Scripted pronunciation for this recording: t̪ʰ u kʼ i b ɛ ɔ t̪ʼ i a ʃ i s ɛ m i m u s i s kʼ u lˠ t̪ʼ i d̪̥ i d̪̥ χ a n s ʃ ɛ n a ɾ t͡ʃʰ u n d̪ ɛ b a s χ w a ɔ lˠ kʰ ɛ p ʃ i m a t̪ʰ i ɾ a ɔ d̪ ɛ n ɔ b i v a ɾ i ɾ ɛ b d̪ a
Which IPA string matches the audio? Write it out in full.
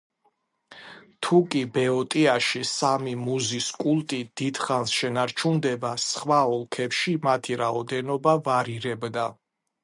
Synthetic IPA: t̪ʰ u kʼ i b ɛ ɔ t̪ʼ i a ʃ i s a m i m u z i s kʼ u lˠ t̪ʼ i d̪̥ i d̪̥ χ a n s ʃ ɛ n a ɾ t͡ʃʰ u n d̪ ɛ b a s χ w a ɔ lˠ kʰ ɛ p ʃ i m a t̪ʰ i ɾ a ɔ d̪ ɛ n ɔ b a v a ɾ i ɾ ɛ b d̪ a